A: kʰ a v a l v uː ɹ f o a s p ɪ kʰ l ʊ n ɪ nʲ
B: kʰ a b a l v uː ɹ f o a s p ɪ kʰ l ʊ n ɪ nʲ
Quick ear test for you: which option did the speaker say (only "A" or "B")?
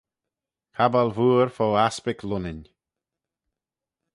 B